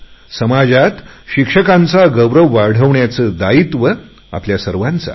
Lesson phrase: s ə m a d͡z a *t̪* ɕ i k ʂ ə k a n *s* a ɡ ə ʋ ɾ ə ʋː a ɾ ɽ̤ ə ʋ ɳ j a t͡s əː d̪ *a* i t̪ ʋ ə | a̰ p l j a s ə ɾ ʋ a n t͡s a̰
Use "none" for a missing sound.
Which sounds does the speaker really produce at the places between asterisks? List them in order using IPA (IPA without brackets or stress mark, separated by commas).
t̪, t͡s, a